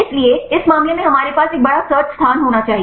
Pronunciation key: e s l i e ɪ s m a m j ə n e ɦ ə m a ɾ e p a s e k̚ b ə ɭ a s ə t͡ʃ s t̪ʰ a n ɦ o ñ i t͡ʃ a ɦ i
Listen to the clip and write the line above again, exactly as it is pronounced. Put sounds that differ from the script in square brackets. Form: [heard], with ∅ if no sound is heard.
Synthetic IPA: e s l i e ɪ s m a m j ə n e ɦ ə m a ɾ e p a s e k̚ b ə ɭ a s ə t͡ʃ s t̪ʰ a n ɦ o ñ [a] t͡ʃ a ɦ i